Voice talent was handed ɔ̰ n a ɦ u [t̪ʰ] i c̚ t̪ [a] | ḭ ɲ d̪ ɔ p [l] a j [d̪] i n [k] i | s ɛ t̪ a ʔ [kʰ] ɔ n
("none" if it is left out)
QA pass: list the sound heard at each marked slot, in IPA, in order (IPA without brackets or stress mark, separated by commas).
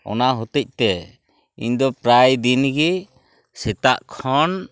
t̪, ɛ, ɾ, d̪, ɡ, kʰ